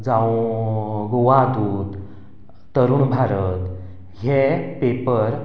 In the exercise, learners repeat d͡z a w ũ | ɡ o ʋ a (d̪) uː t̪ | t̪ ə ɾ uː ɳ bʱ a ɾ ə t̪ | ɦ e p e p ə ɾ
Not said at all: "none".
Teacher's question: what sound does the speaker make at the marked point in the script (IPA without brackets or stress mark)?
d̪